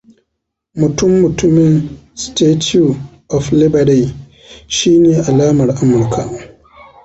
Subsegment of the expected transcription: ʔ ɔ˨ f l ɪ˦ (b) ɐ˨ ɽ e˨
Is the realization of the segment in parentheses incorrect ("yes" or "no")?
no